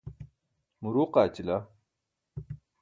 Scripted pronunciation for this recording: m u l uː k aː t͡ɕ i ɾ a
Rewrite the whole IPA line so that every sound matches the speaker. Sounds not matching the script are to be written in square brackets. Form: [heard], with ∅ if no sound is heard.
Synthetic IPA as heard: m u [ɾ] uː [q] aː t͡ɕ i [l] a